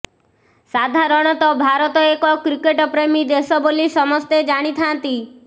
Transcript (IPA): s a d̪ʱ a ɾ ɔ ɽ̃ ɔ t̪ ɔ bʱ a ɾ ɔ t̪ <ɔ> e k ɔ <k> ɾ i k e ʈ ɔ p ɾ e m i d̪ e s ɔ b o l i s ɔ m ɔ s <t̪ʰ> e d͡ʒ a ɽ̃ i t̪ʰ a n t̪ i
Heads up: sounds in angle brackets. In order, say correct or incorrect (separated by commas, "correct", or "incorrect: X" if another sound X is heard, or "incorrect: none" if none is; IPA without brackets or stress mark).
correct, correct, incorrect: t̪